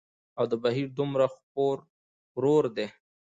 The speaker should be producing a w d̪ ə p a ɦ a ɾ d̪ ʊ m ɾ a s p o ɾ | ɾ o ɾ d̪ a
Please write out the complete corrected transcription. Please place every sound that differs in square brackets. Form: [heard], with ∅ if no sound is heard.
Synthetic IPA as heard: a w d̪ ə [b] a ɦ [i] ɾ d̪ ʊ m ɾ a [x] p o ɾ | ɾ o ɾ d̪ [e]